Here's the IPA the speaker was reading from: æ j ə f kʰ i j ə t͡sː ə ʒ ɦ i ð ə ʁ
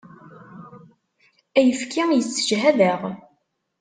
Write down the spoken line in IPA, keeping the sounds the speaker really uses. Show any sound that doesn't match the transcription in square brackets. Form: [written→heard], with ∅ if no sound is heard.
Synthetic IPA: æ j ə f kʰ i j ə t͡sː ə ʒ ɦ [i→æ] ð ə ʁ

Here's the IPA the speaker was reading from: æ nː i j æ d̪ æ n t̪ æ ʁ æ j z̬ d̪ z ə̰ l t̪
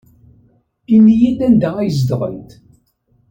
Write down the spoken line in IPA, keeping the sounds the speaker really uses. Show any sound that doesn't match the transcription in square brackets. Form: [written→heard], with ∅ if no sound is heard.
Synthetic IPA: [æ→i] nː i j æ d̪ æ n [t̪→d̪] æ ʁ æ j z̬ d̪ [z→ʁ] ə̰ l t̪

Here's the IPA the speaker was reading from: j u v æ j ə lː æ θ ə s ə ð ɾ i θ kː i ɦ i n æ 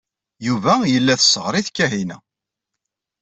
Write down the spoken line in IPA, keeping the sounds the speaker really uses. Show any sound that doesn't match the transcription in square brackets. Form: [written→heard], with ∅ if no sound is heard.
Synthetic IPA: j u v æ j ə lː æ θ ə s ə [ð→ʁ] ɾ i θ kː [i→æ] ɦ i n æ

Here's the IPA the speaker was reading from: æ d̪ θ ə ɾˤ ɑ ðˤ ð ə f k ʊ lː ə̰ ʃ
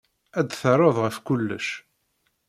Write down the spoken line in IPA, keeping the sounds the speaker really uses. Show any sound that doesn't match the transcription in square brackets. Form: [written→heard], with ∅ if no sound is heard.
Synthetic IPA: æ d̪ θ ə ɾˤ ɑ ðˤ [ð→ʁ] ə f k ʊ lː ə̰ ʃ

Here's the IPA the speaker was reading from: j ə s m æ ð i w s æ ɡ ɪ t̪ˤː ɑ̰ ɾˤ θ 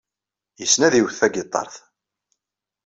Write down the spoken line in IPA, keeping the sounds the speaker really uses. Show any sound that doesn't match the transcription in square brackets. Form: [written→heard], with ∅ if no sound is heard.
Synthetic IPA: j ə s [m→n] æ ð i w [s→θ] æ ɡ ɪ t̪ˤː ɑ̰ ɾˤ θ

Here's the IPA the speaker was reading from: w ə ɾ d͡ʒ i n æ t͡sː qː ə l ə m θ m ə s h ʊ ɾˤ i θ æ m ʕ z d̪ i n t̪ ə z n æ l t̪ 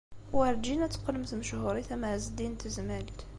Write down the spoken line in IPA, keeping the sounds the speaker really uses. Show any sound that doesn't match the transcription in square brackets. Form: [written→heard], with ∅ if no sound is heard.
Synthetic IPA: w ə ɾ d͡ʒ i n æ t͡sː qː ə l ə m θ m ə [s→ʃ] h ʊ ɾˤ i θ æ m ʕ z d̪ i n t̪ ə z [n→m] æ l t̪

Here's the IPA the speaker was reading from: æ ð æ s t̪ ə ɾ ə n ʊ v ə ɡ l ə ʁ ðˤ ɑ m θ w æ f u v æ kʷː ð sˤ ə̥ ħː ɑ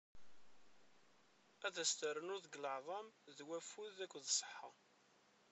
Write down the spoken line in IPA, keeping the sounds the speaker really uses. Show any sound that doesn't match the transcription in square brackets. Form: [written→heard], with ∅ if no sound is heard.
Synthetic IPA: æ ð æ s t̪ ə ɾ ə n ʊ [v→ð] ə ɡ l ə [ʁ→ʕ] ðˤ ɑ m [θ→ð] w æ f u [v→ð] æ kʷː ð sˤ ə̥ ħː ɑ

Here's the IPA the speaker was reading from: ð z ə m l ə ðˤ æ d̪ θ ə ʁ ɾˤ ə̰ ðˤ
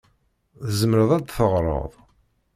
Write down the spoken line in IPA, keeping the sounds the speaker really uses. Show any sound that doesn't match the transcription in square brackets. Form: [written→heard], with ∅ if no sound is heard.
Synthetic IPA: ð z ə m [l→ɾ] ə ðˤ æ d̪ θ ə ʁ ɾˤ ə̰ ðˤ

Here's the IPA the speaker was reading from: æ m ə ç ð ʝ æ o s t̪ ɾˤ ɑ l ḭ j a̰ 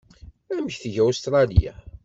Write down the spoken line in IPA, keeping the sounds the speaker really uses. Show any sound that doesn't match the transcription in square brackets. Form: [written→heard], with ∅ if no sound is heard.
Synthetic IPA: æ m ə ç [ð→θ] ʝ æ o s t̪ ɾˤ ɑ l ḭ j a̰

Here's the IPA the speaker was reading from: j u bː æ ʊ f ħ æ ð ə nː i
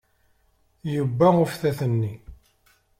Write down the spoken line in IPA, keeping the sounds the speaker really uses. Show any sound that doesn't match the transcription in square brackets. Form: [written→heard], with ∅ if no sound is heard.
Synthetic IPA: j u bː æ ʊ f [ħ→θ] æ [ð→θ] ə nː i

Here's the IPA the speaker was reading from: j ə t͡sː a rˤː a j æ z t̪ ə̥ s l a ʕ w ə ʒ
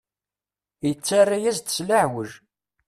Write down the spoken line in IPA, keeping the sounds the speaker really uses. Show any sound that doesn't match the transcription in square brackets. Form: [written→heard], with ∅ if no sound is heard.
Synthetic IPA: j ə t͡sː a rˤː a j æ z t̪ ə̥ s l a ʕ w ə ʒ

